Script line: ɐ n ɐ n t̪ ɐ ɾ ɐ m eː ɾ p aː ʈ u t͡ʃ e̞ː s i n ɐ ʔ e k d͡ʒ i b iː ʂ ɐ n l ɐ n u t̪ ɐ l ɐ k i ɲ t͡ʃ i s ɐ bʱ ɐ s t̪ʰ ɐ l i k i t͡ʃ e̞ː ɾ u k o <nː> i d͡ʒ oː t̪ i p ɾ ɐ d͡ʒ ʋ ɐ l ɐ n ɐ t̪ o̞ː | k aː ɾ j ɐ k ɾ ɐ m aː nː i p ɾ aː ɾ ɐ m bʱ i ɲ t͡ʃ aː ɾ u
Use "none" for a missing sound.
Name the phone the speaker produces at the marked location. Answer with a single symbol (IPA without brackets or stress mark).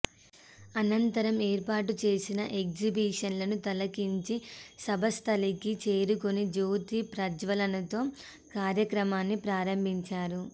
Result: n